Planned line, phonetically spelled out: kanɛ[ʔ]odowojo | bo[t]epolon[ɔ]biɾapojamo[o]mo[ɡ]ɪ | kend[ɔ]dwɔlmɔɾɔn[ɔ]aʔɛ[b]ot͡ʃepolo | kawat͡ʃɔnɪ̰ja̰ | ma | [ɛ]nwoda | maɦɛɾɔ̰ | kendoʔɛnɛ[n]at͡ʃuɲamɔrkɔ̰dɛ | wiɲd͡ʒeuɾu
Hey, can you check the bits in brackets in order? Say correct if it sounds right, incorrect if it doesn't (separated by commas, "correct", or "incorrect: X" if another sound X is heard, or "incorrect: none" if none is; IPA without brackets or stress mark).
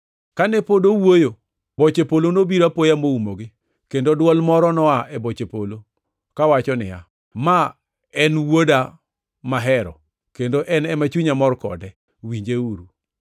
incorrect: p, incorrect: t͡ʃ, incorrect: o, incorrect: u, correct, incorrect: o, correct, correct, correct, incorrect: m